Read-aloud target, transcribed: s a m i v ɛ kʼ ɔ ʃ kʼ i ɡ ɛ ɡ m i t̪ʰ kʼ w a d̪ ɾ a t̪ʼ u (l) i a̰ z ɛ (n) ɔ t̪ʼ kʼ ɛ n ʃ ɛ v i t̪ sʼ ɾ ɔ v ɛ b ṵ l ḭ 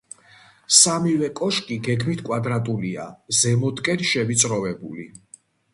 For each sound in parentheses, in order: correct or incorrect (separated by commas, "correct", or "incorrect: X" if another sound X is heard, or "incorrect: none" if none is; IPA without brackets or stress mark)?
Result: correct, incorrect: m